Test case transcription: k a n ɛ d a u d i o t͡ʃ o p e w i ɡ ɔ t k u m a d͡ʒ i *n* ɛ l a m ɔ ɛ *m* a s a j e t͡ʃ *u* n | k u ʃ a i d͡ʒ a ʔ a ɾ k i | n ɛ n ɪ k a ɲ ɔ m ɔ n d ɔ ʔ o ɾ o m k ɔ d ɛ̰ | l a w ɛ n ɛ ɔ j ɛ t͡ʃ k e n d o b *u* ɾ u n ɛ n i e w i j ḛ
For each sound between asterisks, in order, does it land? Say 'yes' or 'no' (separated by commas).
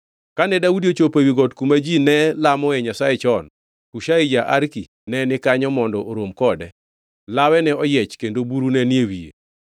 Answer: yes, no, no, yes